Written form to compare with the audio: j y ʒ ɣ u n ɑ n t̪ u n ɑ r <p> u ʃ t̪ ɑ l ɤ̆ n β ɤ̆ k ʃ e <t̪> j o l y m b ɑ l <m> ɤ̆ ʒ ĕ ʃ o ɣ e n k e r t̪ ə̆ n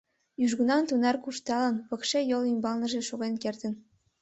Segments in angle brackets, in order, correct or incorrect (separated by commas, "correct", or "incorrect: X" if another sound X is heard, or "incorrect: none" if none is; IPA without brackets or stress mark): incorrect: k, incorrect: none, incorrect: n